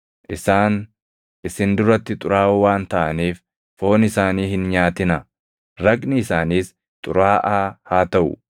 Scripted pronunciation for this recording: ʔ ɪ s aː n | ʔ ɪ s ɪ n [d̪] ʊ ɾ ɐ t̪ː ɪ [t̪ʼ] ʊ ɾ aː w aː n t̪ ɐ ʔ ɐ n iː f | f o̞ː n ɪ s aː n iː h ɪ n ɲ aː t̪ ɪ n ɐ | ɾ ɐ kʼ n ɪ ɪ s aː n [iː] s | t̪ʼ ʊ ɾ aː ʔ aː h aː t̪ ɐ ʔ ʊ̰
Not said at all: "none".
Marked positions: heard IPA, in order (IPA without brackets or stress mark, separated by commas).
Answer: d̪, t̪ʼ, iː